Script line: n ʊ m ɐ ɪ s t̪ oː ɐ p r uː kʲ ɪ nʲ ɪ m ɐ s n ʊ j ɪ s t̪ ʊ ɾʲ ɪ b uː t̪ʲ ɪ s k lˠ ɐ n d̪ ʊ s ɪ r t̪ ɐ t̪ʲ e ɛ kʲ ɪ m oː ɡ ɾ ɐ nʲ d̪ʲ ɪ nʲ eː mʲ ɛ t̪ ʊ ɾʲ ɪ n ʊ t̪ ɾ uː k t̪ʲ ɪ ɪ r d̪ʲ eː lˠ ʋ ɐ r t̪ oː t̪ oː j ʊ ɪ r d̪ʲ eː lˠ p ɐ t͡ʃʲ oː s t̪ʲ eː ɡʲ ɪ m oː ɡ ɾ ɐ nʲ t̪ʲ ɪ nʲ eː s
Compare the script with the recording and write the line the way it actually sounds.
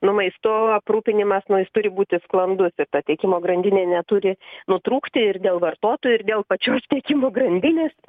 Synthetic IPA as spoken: n ʊ m ɐ ɪ s t̪ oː ɐ p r uː pʲ ɪ nʲ ɪ m ɐ s n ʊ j ɪ s t̪ ʊ ɾʲ ɪ b uː t̪ʲ ɪ s k lˠ ɐ n d̪ ʊ s ɪ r t̪ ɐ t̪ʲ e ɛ kʲ ɪ m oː ɡ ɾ ɐ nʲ d̪ʲ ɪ nʲ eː nʲ ɛ t̪ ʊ ɾʲ ɪ n ʊ t̪ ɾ uː k t̪ʲ ɪ ɪ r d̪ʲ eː lˠ ʋ ɐ r t̪ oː t̪ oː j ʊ ɪ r d̪ʲ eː lˠ p ɐ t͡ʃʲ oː s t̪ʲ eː kʲ ɪ m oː ɡ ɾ ɐ nʲ d̪ʲ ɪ nʲ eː s